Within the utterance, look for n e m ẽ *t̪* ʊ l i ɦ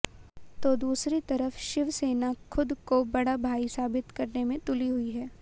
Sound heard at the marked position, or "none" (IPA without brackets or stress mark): t̪